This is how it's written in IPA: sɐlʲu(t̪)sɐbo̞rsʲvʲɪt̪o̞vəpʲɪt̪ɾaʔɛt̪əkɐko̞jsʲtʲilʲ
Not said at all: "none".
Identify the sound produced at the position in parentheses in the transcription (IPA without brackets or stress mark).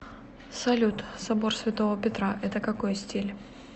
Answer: t̪